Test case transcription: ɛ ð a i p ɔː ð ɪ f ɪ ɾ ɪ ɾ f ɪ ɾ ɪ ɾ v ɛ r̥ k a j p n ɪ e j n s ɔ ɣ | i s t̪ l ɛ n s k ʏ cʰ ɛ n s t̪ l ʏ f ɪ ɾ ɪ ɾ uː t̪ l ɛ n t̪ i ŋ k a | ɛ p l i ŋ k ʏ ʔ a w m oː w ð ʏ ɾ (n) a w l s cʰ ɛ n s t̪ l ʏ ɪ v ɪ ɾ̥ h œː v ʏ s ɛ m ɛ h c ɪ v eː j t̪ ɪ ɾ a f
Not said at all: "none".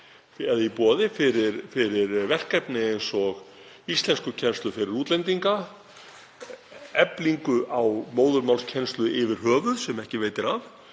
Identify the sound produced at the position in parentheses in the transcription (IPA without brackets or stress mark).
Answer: m